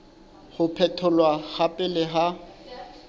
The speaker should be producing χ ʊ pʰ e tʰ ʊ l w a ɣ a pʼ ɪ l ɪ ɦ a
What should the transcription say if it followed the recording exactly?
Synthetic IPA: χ ʊ pʰ ɛ tʰ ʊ l w a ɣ a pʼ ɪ l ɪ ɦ a